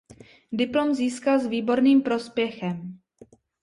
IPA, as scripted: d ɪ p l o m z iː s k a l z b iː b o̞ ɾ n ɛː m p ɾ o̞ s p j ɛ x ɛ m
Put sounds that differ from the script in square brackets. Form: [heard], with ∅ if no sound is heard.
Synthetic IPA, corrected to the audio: d ɪ p l o m z iː s k a l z [v] iː b o̞ ɾ n [iː] m p ɾ o̞ s p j ɛ x ɛ m